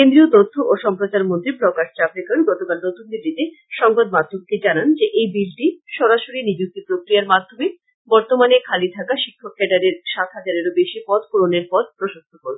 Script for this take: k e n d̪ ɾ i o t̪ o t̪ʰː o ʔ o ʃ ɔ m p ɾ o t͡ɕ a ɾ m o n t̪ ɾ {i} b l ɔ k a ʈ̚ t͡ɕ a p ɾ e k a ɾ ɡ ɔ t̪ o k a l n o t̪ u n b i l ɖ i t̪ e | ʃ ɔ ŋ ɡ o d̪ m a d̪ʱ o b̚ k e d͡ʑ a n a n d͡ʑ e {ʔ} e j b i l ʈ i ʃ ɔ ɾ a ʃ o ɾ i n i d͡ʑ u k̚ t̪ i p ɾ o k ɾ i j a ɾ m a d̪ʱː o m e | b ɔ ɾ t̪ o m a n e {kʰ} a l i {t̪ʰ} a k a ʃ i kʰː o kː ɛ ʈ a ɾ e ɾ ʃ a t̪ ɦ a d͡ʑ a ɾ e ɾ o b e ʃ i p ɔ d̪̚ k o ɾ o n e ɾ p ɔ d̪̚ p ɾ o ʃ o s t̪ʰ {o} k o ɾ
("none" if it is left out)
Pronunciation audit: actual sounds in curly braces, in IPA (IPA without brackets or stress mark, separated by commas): i, ʔ, kʰ, t̪ʰ, o